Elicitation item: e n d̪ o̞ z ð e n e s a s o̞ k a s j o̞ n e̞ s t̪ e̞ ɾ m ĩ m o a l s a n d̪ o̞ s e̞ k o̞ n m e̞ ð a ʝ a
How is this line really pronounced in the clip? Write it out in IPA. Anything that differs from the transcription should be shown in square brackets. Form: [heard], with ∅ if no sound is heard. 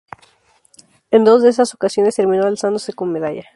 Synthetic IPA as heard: e n d̪ o̞ z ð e [∅] e s a s o̞ k a s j o̞ n e̞ s t̪ e̞ ɾ m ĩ [n] o a l s a n d̪ o̞ s e̞ k o̞ n m e̞ ð a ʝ a